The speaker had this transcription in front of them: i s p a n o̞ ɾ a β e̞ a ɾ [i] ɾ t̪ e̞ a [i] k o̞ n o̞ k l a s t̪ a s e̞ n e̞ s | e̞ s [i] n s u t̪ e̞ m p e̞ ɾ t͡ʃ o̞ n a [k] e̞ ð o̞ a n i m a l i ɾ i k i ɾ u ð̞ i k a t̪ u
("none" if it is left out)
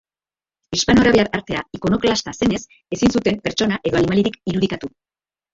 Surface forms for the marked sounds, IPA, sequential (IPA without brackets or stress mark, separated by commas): a, i, i, ʔ